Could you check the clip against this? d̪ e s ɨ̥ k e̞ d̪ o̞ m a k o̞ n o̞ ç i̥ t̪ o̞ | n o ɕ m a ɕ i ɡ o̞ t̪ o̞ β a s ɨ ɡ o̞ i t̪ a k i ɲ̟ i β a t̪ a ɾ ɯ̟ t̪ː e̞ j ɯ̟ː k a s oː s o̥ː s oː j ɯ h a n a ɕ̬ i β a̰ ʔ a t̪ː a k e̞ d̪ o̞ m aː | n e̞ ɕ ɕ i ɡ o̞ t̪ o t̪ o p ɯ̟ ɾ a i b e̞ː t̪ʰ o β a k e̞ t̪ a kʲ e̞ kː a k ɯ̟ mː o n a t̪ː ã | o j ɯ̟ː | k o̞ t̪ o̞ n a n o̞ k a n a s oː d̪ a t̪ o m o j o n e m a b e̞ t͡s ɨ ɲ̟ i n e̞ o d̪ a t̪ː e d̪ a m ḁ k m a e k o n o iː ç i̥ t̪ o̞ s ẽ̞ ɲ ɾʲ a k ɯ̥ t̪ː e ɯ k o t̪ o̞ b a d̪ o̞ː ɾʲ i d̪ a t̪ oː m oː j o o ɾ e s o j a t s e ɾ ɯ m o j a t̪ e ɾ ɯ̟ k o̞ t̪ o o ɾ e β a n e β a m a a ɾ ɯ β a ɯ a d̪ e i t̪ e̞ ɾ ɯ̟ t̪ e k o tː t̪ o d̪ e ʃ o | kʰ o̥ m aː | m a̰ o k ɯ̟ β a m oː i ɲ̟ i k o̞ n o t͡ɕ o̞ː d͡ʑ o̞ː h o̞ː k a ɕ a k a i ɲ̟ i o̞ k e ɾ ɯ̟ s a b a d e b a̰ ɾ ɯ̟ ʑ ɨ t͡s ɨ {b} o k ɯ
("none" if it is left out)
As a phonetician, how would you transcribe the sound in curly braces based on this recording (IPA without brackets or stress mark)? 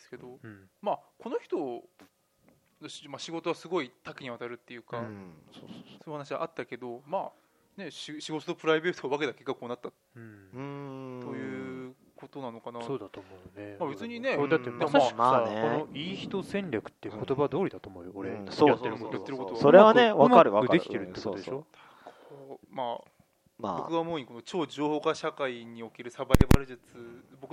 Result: b